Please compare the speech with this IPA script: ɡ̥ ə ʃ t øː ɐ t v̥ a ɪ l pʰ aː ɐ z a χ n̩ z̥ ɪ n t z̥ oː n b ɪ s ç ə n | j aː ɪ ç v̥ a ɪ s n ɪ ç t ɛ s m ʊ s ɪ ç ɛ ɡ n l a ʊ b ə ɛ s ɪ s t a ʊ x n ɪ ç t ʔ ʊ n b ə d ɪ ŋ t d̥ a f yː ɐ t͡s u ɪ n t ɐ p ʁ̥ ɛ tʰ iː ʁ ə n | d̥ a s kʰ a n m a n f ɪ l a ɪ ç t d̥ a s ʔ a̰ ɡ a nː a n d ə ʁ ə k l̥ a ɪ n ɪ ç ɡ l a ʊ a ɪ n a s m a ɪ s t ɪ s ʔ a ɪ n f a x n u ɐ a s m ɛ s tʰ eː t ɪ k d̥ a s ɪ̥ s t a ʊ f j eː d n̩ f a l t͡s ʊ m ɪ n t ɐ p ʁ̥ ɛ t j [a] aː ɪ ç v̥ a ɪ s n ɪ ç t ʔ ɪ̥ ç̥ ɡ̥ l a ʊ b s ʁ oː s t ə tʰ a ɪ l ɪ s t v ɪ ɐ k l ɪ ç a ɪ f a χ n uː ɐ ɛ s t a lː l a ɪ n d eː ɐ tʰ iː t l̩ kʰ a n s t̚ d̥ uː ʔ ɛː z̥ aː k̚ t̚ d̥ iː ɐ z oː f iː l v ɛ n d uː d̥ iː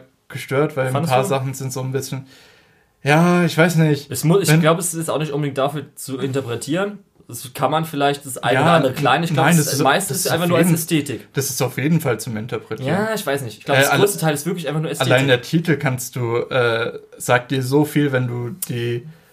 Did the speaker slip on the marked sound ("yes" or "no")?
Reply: yes